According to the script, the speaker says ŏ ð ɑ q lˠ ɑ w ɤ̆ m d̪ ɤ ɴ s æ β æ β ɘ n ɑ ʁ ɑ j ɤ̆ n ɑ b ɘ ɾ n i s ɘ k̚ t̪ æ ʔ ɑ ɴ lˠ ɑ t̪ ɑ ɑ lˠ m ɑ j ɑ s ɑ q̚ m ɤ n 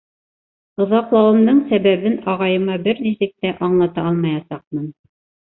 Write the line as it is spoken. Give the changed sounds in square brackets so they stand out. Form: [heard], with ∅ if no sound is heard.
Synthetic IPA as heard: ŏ ð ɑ q lˠ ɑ w ɤ̆ m d̪ ɤ ɴ s æ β æ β ɘ n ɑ ʁ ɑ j ɤ̆ [m] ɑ b ɘ ɾ n i s ɘ k̚ t̪ æ ʔ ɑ ɴ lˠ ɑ t̪ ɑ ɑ lˠ m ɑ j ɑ s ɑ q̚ m ɤ n